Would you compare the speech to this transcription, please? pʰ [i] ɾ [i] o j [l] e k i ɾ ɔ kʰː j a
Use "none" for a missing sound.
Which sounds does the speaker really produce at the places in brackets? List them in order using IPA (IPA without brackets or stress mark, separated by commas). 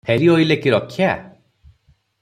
e, i, l